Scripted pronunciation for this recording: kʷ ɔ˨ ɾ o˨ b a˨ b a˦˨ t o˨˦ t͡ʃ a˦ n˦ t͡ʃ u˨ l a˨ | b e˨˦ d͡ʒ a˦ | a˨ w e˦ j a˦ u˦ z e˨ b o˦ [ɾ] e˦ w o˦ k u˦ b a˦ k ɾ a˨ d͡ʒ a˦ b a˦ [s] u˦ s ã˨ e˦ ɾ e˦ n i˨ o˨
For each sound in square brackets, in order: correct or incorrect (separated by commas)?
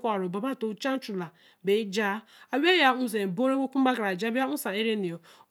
correct, incorrect